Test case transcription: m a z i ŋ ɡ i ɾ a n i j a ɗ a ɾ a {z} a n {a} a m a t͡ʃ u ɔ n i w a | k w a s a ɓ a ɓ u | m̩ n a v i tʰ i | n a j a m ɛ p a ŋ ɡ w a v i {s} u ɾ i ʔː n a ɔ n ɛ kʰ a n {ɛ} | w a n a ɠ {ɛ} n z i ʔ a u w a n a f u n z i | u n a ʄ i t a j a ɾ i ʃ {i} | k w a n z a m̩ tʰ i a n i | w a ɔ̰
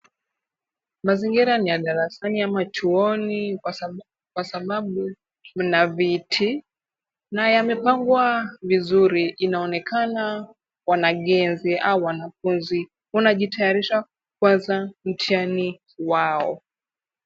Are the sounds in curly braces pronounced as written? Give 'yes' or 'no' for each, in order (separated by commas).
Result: no, no, no, no, yes, no